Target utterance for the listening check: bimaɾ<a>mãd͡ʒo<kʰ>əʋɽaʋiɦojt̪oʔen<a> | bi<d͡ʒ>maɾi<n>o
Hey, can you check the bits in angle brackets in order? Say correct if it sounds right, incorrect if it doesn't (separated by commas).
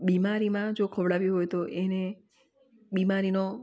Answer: incorrect, correct, incorrect, incorrect, correct